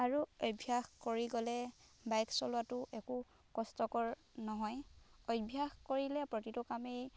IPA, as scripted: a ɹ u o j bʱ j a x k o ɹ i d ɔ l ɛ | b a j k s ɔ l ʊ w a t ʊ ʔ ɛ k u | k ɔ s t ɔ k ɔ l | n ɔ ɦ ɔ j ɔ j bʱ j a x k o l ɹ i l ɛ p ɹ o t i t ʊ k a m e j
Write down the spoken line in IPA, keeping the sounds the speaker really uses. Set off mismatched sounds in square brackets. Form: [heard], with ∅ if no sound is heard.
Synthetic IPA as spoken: a ɹ u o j bʱ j a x k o ɹ i [ɡ] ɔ l ɛ | b a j k s ɔ l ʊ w a t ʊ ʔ ɛ k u | k ɔ s t ɔ k ɔ [ɹ] | n ɔ ɦ ɔ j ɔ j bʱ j a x k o [∅] ɹ i l ɛ p ɹ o t i t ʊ k a m e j